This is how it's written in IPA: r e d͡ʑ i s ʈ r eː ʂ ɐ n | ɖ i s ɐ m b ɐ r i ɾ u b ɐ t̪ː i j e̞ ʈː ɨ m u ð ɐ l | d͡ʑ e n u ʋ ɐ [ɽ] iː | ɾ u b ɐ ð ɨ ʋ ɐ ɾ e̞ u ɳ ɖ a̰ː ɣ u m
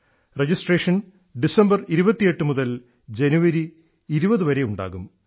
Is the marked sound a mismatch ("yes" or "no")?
yes